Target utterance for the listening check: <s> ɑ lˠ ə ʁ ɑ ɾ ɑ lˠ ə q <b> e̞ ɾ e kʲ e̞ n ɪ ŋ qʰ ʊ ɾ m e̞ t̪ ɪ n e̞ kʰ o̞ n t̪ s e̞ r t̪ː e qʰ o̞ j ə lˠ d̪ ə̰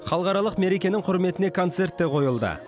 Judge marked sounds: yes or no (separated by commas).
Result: no, no